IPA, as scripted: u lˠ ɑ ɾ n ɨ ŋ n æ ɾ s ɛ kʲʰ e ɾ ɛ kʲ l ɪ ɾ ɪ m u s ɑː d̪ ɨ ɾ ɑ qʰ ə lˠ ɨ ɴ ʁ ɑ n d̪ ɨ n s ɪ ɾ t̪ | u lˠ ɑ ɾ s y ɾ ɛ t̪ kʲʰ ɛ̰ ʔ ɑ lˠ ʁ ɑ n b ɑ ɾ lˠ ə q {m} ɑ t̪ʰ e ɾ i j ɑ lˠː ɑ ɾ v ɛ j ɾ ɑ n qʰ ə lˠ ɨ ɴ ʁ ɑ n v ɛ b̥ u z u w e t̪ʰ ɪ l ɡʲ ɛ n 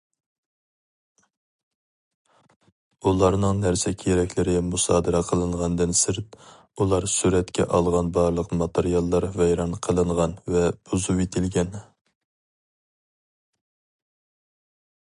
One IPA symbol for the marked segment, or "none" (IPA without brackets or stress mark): m